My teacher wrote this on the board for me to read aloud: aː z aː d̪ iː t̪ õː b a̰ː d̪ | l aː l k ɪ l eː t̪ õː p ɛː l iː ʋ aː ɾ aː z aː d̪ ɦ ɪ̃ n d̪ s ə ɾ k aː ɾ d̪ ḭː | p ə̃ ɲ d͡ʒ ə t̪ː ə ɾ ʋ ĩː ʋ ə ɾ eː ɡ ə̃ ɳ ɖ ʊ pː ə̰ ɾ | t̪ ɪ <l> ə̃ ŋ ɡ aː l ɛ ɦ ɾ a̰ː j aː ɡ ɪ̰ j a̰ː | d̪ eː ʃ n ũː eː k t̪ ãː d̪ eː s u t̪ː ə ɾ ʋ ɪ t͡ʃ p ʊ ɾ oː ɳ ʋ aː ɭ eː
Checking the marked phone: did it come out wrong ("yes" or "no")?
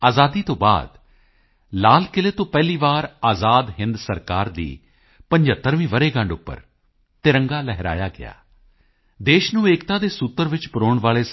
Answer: yes